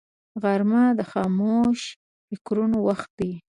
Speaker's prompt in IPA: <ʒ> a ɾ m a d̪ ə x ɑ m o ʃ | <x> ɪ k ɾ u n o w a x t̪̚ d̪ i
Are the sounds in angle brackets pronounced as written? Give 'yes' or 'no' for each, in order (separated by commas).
no, no